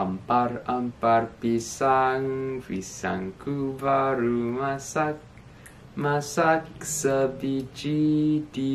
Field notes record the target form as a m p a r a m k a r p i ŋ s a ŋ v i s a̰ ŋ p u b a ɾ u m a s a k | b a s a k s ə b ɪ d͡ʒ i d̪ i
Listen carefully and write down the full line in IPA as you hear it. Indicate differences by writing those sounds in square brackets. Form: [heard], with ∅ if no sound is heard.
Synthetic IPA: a m p a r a m [p] a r p i [∅] s a ŋ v i s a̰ ŋ [k] u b a ɾ u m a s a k | [m] a s a k s ə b [i] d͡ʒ i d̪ i